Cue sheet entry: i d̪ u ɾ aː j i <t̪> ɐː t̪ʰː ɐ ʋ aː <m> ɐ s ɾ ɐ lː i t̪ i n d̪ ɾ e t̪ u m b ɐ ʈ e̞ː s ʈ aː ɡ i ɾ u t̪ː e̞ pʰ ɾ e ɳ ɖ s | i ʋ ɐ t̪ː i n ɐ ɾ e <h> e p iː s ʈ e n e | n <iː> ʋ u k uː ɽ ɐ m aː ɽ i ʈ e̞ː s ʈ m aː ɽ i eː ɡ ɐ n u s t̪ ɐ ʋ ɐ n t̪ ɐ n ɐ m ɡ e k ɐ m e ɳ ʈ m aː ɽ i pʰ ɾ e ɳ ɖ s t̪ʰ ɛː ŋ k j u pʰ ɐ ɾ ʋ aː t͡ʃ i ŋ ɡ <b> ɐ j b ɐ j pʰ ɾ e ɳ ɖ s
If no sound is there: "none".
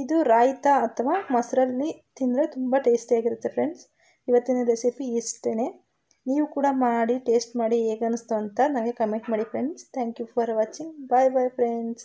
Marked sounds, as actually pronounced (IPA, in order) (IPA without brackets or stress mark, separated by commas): t̪, m, s, iː, b